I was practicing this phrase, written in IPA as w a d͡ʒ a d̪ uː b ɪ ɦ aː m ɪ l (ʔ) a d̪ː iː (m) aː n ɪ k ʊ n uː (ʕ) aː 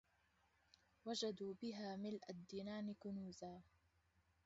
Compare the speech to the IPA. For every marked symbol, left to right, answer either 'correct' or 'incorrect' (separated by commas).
correct, incorrect, incorrect